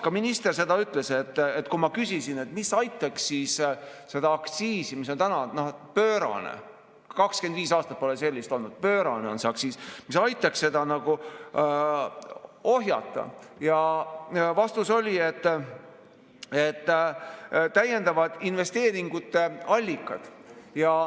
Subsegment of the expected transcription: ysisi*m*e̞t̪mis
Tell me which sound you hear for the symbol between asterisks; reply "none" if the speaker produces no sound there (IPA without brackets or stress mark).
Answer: n